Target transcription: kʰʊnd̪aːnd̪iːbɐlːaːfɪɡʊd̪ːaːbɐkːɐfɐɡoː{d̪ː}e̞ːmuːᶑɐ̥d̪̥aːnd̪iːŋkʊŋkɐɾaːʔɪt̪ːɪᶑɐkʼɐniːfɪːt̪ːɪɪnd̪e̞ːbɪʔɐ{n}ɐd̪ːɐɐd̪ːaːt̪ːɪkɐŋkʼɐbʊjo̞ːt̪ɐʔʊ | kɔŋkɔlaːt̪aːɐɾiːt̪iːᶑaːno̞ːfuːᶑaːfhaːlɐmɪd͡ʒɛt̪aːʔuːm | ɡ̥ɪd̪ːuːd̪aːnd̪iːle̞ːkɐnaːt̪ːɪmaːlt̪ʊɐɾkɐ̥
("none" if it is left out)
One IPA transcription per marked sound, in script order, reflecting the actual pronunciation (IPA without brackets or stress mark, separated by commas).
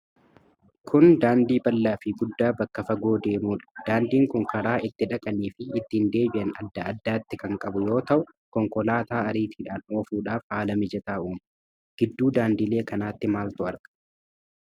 d̪, n